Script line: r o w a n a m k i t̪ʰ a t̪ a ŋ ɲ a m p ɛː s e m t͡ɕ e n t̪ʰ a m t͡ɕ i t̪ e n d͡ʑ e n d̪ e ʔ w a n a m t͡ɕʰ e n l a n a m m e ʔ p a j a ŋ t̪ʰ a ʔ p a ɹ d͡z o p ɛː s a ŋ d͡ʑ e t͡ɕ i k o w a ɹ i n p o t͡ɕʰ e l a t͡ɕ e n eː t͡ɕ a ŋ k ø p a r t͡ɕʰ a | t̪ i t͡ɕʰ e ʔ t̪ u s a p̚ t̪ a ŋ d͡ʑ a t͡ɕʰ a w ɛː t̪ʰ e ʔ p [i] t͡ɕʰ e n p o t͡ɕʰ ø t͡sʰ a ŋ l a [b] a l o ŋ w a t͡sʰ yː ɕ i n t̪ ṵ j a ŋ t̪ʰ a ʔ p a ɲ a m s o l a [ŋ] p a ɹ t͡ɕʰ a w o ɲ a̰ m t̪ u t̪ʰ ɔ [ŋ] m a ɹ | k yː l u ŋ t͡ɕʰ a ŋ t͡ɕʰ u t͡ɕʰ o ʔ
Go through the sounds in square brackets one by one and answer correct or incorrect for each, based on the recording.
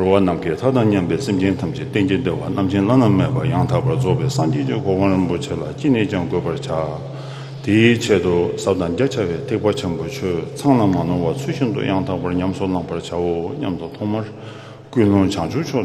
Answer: incorrect: a, incorrect: m, correct, correct

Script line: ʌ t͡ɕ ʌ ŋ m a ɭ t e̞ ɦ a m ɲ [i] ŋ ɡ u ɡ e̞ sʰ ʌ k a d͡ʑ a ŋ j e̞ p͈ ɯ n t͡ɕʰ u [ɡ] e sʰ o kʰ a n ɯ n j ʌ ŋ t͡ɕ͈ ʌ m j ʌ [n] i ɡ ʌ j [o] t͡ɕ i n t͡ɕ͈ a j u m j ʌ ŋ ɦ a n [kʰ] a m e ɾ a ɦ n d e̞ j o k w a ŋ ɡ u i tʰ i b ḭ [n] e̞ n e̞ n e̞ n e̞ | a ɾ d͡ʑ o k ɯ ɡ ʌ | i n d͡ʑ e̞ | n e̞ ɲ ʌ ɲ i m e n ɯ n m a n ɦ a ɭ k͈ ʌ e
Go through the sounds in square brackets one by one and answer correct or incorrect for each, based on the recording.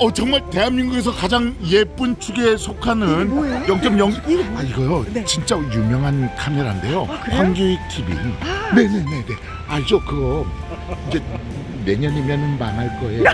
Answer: correct, correct, incorrect: ŋ, correct, correct, correct

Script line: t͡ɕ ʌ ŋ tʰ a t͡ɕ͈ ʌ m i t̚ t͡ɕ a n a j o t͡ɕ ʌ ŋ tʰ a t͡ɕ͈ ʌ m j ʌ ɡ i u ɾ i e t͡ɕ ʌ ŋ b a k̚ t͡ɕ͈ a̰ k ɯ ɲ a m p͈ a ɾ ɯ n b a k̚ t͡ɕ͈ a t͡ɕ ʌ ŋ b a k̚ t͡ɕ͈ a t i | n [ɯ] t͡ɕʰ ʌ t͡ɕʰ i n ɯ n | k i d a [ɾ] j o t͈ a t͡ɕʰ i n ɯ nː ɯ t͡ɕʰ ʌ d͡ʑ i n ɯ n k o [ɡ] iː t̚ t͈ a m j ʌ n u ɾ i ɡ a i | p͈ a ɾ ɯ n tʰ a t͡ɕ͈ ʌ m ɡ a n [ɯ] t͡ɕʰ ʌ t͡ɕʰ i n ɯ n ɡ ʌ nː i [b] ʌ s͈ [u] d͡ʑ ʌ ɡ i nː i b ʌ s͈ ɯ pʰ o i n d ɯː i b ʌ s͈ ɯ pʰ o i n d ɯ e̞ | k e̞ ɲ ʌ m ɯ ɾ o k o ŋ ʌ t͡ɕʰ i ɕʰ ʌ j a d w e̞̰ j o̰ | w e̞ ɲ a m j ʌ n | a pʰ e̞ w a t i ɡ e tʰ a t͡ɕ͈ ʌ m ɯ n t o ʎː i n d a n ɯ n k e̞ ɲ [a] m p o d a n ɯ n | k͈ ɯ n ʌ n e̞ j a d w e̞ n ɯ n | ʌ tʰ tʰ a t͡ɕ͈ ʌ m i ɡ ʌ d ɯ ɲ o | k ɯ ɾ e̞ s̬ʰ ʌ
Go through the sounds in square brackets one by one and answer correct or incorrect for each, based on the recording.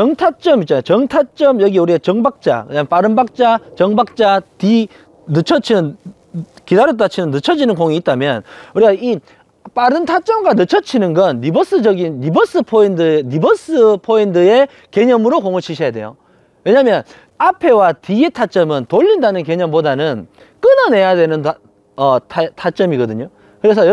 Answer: correct, correct, incorrect: ŋ, correct, correct, incorrect: ɯ, incorrect: ʌ

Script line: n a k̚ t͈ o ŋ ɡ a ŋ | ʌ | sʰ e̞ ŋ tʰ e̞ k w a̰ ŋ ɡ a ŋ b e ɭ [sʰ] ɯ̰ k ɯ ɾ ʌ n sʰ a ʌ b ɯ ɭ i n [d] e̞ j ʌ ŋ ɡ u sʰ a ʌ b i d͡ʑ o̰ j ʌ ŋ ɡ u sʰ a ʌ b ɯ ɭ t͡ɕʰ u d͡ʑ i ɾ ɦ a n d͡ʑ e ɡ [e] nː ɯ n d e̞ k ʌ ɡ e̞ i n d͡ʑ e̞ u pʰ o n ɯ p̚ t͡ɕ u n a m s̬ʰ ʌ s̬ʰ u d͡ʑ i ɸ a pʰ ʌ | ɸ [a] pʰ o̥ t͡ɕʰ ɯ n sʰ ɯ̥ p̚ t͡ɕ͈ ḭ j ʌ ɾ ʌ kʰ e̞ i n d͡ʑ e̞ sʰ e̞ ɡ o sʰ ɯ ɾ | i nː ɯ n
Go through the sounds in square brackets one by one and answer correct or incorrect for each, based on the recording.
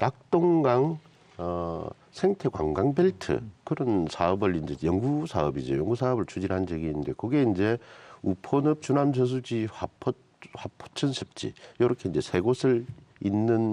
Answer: incorrect: tʰ, incorrect: d͡ʑ, incorrect: i, correct

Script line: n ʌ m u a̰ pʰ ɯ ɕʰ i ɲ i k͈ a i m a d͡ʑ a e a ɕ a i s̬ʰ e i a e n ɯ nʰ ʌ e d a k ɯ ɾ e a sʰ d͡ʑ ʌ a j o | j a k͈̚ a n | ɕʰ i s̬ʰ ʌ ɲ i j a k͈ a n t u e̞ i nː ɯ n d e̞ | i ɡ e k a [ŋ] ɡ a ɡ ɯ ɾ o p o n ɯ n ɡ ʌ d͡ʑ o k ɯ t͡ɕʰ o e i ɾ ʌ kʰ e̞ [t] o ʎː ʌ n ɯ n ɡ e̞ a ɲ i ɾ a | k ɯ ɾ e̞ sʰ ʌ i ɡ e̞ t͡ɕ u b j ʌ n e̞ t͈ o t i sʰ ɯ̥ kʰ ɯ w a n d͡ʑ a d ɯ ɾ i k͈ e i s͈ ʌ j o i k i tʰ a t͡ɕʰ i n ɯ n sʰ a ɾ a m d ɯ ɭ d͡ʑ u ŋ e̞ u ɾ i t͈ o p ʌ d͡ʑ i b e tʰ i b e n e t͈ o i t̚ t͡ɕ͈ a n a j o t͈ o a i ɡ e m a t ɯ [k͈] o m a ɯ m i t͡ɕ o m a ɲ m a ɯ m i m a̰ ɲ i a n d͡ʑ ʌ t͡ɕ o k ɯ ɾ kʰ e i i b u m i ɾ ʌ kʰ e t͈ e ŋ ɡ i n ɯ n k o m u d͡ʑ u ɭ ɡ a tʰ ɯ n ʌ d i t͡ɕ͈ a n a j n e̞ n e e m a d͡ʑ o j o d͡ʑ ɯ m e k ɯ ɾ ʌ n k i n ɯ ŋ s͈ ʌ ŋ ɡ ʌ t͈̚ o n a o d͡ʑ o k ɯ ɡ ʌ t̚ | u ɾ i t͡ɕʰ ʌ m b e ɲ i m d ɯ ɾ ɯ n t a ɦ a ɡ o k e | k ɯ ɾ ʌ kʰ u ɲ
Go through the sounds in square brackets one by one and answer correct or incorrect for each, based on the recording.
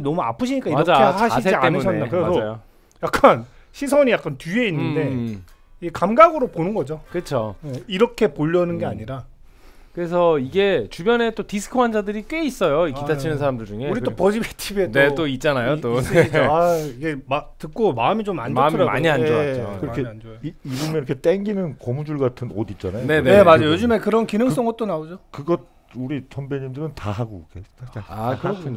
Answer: incorrect: m, incorrect: p, correct

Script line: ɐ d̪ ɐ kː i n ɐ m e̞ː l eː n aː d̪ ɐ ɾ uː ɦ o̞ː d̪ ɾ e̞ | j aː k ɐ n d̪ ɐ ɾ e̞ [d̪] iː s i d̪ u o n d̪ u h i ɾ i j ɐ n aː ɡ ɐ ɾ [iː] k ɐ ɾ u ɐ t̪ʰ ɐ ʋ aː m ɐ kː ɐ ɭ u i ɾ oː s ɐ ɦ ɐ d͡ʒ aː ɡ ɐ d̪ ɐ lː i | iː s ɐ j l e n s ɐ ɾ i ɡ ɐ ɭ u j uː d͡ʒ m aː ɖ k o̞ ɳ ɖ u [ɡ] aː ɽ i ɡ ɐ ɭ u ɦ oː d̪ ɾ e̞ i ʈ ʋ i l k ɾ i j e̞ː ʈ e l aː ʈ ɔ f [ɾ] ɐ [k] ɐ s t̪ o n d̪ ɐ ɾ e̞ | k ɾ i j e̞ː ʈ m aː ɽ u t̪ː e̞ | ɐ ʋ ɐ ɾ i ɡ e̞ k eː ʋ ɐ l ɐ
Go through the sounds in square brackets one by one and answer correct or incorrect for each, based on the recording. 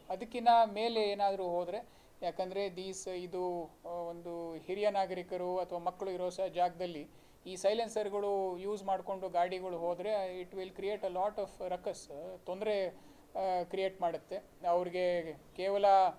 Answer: correct, incorrect: i, correct, correct, correct

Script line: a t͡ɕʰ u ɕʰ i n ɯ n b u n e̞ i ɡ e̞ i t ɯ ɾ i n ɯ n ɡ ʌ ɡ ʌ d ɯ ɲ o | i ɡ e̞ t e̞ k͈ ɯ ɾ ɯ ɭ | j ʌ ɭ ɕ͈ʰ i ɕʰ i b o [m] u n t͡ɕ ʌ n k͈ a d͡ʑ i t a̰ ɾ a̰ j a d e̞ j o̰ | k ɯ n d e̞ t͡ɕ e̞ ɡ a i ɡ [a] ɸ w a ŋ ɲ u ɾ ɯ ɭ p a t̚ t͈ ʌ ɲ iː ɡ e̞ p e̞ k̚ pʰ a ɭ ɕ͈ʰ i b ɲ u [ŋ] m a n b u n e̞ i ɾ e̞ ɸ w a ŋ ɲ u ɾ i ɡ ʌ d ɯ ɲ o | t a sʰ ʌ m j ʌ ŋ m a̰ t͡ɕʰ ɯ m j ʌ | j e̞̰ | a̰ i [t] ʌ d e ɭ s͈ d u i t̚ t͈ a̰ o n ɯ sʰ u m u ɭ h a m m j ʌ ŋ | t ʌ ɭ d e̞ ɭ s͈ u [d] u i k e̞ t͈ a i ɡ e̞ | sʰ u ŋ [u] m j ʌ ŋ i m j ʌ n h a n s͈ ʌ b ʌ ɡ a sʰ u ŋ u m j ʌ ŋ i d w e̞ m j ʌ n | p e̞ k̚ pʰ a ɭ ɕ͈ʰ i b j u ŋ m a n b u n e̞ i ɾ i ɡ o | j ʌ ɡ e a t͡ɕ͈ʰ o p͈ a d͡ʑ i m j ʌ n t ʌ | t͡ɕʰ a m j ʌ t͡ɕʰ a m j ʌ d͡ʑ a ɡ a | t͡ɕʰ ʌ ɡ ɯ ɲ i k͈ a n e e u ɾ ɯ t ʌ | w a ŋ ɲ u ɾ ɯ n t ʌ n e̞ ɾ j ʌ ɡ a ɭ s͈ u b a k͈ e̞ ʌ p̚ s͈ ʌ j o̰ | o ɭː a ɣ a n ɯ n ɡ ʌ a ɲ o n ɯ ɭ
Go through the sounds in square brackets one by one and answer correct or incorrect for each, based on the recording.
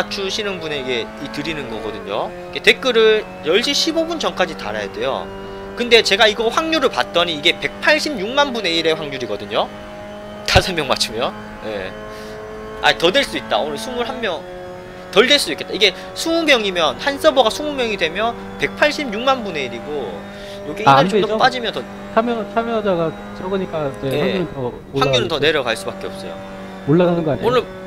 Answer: incorrect: b, incorrect: ʌ, correct, correct, correct, correct

